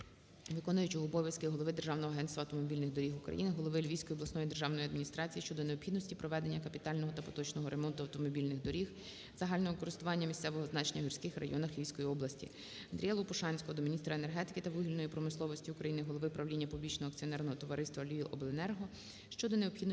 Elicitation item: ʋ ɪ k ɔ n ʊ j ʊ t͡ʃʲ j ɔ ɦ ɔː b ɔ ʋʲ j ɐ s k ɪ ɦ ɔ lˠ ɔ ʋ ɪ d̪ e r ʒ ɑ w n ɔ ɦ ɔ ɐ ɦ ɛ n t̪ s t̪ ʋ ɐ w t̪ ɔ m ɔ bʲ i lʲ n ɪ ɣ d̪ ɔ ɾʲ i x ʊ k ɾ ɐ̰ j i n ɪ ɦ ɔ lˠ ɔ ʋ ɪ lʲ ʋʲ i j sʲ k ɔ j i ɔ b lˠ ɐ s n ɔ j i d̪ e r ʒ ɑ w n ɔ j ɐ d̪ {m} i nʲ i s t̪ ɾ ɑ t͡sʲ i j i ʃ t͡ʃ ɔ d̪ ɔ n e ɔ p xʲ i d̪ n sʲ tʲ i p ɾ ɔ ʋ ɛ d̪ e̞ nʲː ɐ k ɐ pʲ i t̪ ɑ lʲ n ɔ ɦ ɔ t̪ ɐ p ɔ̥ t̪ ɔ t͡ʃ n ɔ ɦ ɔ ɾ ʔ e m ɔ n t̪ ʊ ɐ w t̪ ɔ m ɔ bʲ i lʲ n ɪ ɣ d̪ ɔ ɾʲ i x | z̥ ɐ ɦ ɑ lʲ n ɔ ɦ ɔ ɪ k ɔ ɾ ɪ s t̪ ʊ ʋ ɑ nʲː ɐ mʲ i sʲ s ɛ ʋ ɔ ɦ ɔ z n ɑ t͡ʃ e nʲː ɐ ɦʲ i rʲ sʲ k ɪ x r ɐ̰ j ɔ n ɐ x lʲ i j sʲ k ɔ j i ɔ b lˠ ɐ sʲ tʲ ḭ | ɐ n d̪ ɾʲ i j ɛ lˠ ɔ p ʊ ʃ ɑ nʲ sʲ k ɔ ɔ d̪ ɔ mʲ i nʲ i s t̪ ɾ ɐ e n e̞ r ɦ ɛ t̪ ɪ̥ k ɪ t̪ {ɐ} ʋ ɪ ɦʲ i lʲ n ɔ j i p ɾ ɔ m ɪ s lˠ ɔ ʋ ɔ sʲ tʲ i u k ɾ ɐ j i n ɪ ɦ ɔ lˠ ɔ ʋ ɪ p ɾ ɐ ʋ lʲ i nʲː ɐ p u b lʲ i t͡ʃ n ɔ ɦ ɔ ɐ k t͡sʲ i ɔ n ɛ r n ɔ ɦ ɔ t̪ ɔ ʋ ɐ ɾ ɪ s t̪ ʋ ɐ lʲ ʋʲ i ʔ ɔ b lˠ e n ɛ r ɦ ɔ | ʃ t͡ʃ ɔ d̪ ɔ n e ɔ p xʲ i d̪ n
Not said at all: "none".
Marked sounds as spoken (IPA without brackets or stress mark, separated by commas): m, ɐ